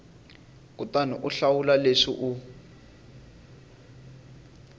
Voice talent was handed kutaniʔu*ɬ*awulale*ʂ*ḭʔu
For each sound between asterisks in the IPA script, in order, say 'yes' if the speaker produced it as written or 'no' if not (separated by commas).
yes, yes